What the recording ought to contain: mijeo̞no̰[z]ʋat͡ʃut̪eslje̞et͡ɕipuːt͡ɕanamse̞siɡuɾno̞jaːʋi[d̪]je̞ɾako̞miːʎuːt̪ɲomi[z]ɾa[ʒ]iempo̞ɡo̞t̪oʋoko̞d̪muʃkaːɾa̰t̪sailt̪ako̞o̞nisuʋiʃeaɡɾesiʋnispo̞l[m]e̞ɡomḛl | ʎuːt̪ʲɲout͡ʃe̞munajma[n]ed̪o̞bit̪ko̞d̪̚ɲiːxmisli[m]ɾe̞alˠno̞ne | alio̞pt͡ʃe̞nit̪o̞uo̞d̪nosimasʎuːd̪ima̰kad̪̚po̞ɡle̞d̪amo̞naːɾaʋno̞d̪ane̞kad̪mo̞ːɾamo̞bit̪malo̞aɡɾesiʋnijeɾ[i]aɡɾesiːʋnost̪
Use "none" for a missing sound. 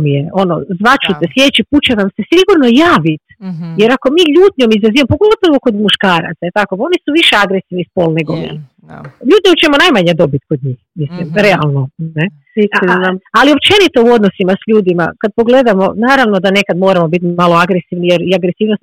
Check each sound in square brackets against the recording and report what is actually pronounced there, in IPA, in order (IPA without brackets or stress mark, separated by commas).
z, t̪, z, z, n, ɲ, m, i